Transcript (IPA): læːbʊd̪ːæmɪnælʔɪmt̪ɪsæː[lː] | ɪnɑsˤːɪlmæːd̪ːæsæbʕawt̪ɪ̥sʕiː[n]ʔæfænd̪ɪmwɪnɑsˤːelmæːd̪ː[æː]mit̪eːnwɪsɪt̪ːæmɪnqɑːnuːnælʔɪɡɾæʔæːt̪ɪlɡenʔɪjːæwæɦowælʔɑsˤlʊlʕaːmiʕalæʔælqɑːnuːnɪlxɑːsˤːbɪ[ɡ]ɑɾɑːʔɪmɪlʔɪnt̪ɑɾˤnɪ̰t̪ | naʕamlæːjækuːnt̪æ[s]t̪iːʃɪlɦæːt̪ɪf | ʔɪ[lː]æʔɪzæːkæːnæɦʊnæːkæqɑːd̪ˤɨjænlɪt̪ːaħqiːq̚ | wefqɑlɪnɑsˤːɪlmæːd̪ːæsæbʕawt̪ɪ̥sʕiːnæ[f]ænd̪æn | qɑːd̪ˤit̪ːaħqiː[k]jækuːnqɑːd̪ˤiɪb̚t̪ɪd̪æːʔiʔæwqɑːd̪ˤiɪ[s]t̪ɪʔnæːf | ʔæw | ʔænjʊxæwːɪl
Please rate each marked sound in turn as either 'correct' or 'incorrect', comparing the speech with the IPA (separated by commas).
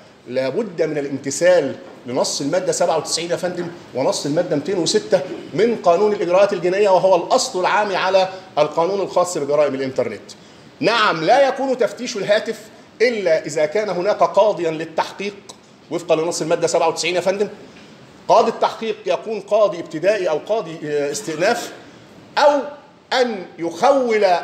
correct, correct, incorrect, correct, incorrect, correct, correct, incorrect, correct